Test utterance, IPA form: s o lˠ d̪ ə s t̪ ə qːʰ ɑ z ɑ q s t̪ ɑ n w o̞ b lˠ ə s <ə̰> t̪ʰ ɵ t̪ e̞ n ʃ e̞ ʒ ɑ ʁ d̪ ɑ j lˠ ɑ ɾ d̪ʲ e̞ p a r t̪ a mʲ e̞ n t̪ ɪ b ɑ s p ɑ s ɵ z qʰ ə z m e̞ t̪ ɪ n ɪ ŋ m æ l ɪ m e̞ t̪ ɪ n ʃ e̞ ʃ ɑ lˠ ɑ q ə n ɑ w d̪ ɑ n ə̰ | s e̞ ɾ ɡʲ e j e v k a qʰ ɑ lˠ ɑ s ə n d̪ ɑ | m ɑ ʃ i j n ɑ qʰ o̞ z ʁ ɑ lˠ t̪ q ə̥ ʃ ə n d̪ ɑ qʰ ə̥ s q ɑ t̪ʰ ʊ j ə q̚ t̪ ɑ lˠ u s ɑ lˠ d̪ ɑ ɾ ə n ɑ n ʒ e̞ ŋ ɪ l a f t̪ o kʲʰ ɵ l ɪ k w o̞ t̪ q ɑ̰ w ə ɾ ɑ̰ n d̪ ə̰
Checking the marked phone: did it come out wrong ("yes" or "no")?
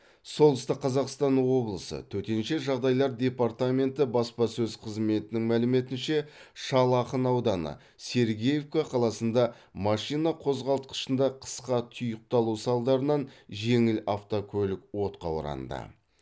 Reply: no